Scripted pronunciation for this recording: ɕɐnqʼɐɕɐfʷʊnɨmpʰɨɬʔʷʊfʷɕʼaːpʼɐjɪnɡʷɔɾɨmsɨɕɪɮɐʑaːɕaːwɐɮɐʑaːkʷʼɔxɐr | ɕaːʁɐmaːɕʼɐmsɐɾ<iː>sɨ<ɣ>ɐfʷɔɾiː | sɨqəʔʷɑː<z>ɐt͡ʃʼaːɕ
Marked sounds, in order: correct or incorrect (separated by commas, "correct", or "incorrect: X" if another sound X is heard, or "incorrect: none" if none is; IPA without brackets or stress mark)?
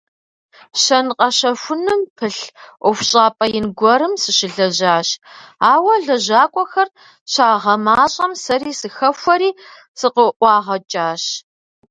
correct, incorrect: x, incorrect: ʁ